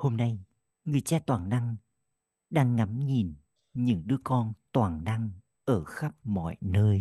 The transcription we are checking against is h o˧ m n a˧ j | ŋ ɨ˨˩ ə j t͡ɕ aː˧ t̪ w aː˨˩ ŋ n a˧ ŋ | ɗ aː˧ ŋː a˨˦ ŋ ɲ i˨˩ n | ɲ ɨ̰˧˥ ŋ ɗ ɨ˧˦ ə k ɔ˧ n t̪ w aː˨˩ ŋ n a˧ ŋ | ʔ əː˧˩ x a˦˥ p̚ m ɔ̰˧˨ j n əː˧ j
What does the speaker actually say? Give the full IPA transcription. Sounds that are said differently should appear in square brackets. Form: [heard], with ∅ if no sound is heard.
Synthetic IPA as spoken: h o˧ m n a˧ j | ŋ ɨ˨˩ ə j t͡ɕ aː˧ t̪ w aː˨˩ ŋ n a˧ ŋ | ɗ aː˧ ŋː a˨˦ [m] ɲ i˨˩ n | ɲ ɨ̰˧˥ ŋ ɗ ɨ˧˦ ə k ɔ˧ n t̪ w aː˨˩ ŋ n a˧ ŋ | ʔ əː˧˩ x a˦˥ p̚ m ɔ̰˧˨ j n əː˧ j